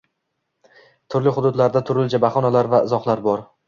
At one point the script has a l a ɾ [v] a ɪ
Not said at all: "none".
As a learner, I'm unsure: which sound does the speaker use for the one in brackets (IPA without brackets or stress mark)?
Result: v